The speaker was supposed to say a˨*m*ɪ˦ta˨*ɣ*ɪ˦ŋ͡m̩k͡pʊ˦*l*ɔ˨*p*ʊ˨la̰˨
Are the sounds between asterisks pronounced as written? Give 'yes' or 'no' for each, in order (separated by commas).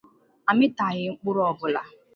yes, yes, no, no